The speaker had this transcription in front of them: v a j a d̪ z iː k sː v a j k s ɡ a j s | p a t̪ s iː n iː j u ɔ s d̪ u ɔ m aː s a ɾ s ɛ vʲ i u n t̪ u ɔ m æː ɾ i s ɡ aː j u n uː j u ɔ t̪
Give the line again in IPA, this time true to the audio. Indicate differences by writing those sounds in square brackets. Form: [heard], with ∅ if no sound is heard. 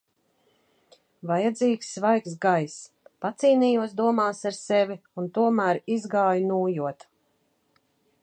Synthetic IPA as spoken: v a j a d̪ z iː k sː v a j k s ɡ a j s | p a t̪ s iː n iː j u ɔ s d̪ u ɔ m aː s a ɾ s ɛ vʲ i u n t̪ u ɔ m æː ɾ i [z] ɡ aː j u n uː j u ɔ t̪